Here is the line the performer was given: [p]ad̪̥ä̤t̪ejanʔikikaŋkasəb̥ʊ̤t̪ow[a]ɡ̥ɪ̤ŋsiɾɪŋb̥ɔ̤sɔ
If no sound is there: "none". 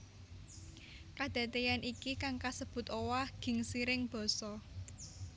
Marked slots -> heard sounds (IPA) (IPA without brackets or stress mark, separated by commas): k, a